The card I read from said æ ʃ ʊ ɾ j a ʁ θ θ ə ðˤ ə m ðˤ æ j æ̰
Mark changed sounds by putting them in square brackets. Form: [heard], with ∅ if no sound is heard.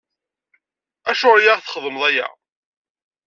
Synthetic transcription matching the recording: æ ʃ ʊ ɾ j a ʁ θ [χ] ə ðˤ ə m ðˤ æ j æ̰